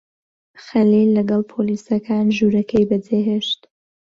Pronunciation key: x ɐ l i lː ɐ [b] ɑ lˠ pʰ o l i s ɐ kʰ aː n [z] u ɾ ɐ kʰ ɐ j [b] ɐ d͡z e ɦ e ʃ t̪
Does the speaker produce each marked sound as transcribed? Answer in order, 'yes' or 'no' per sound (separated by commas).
no, no, yes